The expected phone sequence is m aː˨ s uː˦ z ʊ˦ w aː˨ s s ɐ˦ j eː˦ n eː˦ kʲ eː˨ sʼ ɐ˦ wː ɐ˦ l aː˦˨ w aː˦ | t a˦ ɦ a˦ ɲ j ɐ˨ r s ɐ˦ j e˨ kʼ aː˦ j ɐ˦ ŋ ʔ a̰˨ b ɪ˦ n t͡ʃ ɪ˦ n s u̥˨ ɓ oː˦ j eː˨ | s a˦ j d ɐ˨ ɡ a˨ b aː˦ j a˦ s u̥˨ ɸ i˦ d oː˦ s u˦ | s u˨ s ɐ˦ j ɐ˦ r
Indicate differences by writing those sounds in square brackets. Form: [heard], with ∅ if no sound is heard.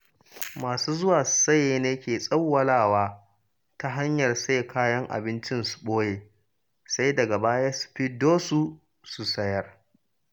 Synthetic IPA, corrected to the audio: m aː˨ s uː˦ z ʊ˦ w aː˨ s s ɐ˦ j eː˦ n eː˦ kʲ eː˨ sʼ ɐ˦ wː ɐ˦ l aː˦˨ w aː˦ | t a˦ ɦ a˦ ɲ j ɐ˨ r s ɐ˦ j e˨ [k] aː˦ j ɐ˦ ŋ ʔ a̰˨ b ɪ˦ n t͡ʃ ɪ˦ n s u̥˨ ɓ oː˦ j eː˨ | s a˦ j d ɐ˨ ɡ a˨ b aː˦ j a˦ s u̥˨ ɸ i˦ d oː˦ s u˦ | s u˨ s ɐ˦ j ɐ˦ r